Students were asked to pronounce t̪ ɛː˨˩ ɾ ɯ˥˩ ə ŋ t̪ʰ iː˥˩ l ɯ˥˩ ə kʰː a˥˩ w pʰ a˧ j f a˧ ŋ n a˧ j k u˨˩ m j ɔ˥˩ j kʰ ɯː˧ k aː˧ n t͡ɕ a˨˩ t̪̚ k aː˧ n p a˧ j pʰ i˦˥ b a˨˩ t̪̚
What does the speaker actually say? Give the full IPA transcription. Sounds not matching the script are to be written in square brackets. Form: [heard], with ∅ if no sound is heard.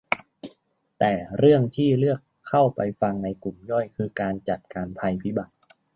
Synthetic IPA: t̪ ɛː˨˩ ɾ ɯ˥˩ ə ŋ t̪ʰ iː˥˩ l ɯ˥˩ ə kʰː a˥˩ w [p] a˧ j f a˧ ŋ n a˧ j k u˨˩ m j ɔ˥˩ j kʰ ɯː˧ k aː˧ n t͡ɕ a˨˩ t̪̚ k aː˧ n [pʰ] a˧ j pʰ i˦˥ b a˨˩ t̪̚

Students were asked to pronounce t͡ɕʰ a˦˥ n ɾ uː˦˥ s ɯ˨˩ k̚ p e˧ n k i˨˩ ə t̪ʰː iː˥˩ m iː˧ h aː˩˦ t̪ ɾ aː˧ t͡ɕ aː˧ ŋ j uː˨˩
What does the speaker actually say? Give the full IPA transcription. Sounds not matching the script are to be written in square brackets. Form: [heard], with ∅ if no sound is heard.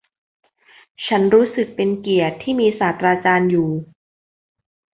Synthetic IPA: t͡ɕʰ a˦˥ n ɾ uː˦˥ s ɯ˨˩ k̚ p e˧ n k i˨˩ ə t̪ʰː iː˥˩ m iː˧ [s] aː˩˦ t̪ ɾ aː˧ t͡ɕ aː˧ [n] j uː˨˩

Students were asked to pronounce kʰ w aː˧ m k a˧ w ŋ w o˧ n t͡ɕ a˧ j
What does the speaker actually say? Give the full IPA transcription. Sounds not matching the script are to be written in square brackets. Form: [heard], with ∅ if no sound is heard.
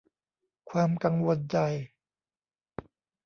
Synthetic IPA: kʰ w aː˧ m k a˧ [∅] ŋ w o˧ n t͡ɕ a˧ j

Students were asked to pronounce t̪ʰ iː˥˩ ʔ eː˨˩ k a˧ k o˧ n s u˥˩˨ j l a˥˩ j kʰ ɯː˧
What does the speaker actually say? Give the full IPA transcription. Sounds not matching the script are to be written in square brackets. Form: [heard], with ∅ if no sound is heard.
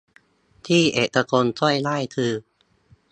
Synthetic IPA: t̪ʰ iː˥˩ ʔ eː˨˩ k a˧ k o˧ n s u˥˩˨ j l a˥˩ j kʰ ɯː˧

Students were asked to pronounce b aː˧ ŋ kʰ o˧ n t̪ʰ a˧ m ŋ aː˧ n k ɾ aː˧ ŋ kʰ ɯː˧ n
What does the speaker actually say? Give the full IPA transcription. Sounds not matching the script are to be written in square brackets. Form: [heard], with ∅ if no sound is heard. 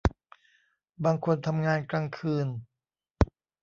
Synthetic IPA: b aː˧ ŋ kʰ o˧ n t̪ʰ a˧ m ŋ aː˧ n k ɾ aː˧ ŋ kʰ ɯː˧ n

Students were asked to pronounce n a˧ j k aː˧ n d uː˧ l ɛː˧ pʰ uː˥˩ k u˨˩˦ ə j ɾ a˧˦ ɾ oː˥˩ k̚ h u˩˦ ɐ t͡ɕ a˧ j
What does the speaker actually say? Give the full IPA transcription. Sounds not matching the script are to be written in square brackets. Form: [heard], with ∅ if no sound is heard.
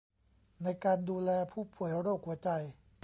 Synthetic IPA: n a˧ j k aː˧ n d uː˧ l ɛː˧ pʰ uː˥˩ [p] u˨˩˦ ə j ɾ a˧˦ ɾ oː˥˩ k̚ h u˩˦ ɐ t͡ɕ a˧ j

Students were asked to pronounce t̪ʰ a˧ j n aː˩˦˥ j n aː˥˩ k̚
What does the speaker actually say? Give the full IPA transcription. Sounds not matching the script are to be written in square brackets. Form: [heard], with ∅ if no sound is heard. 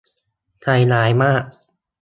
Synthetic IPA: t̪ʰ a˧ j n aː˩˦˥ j [m] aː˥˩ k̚

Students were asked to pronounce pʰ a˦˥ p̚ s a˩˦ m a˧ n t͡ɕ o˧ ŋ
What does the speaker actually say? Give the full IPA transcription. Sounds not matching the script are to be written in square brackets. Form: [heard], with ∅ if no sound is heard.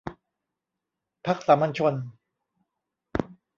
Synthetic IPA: pʰ a˦˥ [k̚] s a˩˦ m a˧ n [t͡ɕʰ] o˧ [n]

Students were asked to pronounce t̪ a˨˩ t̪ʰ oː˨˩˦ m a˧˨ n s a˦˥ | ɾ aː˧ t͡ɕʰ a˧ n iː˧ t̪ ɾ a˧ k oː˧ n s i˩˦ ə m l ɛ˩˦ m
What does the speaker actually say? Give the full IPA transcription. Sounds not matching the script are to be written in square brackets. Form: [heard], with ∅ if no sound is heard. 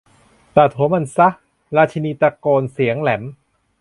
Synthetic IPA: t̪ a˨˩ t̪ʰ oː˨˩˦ m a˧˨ n s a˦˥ | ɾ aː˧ t͡ɕʰ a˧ n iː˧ t̪ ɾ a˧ k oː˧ n s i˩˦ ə [ŋ] l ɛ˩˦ m

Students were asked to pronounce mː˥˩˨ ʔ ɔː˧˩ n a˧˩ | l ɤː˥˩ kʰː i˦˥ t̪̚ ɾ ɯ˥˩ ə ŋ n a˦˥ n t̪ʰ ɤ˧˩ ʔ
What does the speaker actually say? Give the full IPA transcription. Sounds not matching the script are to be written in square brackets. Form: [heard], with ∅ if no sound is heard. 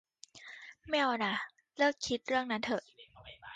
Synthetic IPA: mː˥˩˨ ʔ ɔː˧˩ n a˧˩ | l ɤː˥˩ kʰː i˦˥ t̪̚ ɾ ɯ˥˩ ə ŋ n a˦˥ n t̪ʰ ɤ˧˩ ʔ

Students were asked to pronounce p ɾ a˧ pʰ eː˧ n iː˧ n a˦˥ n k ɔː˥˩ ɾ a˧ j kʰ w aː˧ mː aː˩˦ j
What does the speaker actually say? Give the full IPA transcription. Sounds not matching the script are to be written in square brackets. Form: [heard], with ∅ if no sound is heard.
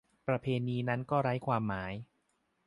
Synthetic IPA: p ɾ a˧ pʰ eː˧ n iː˧ n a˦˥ n k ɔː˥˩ ɾ [a˦˥] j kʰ w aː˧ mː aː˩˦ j

